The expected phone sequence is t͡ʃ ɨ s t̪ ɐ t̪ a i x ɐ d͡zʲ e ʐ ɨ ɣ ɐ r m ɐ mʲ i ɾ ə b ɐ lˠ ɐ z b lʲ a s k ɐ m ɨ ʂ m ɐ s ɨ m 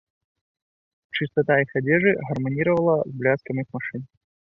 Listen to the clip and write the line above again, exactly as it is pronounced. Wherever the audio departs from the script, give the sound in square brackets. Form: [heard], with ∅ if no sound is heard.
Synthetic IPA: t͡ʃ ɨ s t̪ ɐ t̪ a i x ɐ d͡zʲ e ʐ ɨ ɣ ɐ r m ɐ [nʲ] i ɾ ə [v] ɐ lˠ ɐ z b lʲ a s k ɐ m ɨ [x] m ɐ [ʂ] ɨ [n]